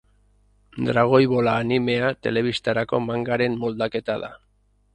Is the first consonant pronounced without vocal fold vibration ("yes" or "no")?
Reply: no